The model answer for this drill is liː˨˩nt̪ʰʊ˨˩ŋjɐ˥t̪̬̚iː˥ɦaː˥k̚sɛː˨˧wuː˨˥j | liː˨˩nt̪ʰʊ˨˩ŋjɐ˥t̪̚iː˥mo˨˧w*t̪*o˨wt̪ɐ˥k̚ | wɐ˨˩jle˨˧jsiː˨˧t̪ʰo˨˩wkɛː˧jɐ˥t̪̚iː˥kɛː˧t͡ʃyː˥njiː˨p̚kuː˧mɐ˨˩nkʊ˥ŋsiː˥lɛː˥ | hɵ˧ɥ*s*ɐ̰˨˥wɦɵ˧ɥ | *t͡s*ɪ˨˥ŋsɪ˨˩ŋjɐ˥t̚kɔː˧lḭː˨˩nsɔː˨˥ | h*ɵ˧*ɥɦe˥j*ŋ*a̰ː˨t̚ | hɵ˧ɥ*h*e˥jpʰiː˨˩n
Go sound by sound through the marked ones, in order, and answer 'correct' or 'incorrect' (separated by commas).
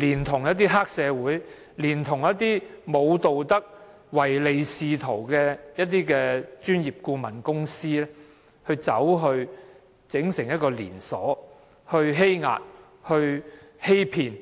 correct, incorrect, correct, correct, correct, correct